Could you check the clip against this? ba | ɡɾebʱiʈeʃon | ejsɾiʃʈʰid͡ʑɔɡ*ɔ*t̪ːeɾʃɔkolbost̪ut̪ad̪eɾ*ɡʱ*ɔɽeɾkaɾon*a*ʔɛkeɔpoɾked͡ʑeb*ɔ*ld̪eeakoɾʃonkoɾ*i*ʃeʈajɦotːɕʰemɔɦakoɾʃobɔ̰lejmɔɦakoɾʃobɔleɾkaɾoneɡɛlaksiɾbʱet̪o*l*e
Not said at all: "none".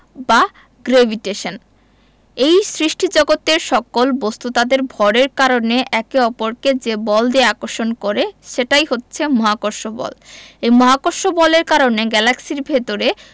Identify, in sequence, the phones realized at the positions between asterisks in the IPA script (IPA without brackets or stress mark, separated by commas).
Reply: o, bʱ, e, ɔ, e, ɾ